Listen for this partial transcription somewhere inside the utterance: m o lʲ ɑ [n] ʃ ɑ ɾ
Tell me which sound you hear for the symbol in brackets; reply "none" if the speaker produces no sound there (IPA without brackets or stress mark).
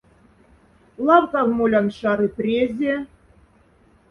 n